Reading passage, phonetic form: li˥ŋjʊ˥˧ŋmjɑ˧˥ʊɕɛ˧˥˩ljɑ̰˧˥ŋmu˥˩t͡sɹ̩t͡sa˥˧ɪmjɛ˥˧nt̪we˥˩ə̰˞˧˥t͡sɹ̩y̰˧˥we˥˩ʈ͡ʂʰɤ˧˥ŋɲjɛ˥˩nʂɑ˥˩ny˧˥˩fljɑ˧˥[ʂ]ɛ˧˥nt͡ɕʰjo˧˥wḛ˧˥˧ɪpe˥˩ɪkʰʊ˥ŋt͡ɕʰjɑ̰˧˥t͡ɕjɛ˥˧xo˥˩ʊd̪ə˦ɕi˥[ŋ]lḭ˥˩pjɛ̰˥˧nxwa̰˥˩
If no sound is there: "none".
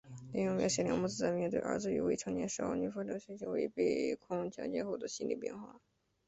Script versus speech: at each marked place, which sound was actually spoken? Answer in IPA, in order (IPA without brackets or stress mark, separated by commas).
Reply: ɕ, n